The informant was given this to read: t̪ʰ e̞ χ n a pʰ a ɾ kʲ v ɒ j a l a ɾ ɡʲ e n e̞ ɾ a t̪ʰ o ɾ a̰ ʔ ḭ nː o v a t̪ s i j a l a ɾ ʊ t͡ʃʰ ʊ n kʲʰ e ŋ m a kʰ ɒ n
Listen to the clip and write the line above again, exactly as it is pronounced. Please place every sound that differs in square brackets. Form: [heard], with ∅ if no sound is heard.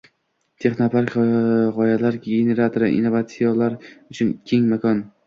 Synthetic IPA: t̪ʰ e̞ χ n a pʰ a ɾ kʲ [ʁ] ɒ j a l a ɾ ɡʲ e n e̞ ɾ a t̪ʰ o ɾ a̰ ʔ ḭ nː o v a t̪ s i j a l a ɾ ʊ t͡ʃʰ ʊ n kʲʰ e ŋ m a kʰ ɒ n